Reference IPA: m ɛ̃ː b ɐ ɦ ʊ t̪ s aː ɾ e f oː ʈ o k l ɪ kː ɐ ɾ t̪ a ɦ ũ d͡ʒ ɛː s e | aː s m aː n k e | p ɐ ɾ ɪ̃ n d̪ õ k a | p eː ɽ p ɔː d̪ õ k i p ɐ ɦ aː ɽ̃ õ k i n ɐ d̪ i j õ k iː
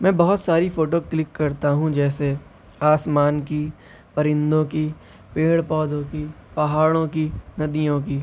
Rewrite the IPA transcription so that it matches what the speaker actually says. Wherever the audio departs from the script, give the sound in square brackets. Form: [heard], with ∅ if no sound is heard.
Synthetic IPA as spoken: m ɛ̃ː b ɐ ɦ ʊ t̪ s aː ɾ [i] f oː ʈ o k l ɪ kː ɐ ɾ t̪ a ɦ ũ d͡ʒ ɛː s e | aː s m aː n k [i] | p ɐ ɾ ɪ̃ n d̪ õ k [i] | p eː ɽ p ɔː d̪ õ k i p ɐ ɦ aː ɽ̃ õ k i n ɐ d̪ i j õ k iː